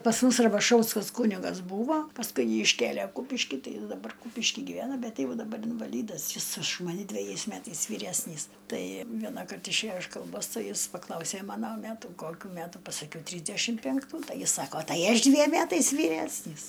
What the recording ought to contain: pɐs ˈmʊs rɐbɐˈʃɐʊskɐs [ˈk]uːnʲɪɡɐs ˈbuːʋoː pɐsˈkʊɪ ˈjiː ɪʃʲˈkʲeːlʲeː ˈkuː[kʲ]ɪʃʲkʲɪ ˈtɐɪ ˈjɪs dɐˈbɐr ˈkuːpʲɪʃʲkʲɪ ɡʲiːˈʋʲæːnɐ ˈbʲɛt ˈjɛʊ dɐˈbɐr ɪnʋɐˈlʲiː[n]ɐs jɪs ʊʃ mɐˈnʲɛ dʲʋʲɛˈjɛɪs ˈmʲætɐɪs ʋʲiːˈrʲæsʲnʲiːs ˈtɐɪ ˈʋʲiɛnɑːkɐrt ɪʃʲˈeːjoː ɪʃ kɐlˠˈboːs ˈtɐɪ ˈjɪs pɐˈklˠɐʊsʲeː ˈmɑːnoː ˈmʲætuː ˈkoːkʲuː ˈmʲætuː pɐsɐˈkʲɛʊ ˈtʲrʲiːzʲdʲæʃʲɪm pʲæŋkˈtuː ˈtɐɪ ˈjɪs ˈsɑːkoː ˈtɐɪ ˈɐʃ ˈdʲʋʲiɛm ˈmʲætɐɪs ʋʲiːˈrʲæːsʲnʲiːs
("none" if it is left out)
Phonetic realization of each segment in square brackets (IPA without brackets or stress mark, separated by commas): k, pʲ, d